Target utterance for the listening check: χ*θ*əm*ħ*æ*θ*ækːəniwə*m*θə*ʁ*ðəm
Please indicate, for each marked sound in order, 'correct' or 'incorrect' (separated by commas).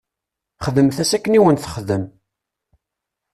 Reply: incorrect, incorrect, incorrect, incorrect, incorrect